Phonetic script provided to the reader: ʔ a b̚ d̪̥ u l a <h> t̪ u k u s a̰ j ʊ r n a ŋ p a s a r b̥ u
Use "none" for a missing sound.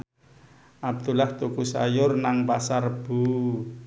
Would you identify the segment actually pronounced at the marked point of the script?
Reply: h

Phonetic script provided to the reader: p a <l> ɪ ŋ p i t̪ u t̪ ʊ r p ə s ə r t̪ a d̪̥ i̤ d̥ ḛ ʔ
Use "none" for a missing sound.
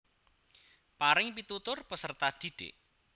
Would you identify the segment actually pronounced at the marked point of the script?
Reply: ɾ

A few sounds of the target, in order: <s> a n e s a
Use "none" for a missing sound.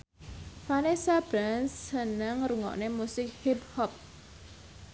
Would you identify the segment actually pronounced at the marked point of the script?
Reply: f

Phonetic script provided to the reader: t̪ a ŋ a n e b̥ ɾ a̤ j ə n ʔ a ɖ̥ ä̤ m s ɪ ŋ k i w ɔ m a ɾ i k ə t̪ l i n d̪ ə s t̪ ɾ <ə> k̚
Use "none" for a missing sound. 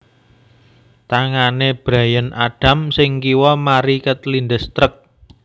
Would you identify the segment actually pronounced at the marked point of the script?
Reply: ə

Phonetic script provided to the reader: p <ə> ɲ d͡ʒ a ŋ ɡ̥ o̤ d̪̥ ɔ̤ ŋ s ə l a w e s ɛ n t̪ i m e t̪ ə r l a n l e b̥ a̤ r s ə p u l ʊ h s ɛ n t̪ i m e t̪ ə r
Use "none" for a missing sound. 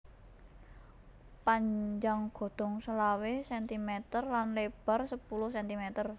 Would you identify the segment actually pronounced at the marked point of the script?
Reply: a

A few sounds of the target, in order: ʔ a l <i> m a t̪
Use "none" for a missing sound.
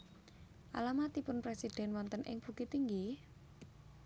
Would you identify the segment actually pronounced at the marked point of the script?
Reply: a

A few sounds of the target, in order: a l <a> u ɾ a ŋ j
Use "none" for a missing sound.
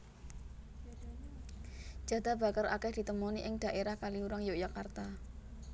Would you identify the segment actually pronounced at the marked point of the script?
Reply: i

